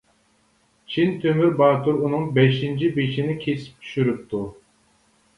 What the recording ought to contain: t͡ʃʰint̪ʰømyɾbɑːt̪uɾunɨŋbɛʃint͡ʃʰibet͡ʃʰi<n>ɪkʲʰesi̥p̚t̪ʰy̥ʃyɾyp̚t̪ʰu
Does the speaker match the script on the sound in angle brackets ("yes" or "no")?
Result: yes